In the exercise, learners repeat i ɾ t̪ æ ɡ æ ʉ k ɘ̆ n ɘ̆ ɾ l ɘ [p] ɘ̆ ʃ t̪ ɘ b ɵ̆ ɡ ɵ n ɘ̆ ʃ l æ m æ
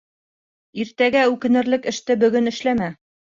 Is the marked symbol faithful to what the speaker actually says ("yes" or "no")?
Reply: no